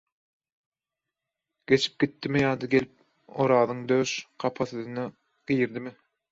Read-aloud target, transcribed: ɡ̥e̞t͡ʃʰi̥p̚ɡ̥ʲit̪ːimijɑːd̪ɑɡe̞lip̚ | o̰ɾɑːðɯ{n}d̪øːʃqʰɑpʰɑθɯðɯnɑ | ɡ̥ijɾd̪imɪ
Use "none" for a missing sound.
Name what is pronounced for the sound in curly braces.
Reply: ŋ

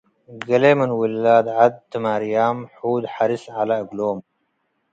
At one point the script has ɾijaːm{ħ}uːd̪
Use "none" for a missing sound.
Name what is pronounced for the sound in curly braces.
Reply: ħ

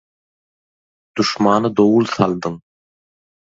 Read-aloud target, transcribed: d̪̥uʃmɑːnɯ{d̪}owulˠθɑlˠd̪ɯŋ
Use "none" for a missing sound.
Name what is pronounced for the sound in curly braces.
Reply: d̪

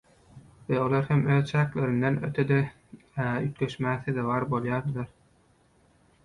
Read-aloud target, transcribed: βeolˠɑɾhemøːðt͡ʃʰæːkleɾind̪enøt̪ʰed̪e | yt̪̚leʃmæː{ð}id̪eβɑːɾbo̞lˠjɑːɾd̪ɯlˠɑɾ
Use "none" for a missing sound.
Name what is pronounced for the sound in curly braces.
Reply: θ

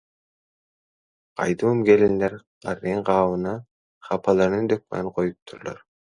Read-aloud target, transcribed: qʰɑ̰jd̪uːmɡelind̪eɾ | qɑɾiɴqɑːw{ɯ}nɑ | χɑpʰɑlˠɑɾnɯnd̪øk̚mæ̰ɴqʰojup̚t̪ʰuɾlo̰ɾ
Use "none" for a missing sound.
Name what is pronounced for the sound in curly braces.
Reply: ɯ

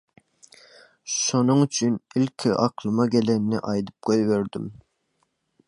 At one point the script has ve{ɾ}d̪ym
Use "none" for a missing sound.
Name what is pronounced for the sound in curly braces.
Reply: ɾ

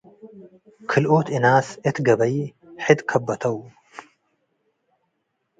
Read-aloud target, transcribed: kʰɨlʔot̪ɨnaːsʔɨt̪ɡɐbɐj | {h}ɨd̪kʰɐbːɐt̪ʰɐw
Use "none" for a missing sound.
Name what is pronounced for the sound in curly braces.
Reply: ħ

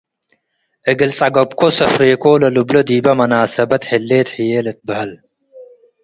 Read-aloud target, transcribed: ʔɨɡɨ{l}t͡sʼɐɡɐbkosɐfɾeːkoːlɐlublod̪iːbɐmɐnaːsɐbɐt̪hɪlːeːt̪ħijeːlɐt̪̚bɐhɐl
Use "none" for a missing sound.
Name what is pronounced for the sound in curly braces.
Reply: l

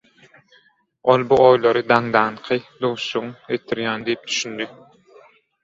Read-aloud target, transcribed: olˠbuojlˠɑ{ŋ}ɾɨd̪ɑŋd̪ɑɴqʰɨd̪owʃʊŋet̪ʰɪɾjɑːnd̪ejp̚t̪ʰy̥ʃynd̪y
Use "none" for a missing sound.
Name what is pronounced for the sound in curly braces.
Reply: none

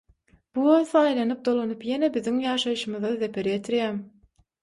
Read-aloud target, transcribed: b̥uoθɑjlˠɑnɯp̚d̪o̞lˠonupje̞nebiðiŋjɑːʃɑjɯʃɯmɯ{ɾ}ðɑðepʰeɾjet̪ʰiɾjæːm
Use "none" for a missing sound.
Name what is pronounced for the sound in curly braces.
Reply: none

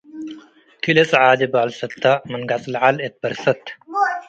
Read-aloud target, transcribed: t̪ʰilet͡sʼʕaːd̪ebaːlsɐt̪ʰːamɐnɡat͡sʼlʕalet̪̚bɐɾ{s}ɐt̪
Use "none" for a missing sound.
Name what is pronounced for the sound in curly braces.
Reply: s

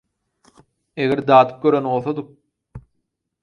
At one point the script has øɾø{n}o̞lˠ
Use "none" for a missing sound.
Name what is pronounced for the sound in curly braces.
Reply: n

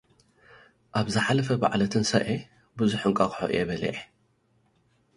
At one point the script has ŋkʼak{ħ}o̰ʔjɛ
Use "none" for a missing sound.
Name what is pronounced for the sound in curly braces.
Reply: ħ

